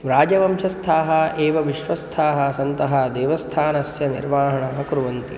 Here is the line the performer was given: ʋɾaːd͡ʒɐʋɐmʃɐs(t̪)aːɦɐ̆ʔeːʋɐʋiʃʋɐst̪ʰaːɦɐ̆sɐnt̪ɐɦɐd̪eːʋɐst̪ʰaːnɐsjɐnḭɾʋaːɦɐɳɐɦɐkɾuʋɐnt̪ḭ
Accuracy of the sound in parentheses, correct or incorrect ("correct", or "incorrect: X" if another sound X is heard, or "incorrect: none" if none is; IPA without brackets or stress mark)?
incorrect: t̪ʰ